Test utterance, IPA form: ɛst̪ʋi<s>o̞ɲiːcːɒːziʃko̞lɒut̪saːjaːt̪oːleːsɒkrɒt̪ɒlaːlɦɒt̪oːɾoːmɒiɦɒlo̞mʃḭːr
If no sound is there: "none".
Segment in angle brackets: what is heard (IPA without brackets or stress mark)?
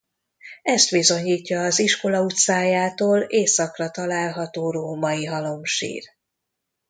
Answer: z